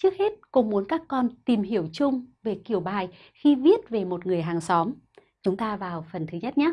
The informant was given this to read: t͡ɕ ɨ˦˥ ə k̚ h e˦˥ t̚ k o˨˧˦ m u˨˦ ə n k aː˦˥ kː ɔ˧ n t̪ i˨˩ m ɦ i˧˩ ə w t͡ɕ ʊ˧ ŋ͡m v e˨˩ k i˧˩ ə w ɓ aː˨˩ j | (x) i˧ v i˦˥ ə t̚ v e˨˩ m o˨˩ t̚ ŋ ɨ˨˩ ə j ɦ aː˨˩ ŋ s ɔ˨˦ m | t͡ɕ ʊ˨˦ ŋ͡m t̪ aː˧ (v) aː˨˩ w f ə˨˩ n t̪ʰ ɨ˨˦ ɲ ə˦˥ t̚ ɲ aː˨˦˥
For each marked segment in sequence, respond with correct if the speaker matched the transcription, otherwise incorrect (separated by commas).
correct, correct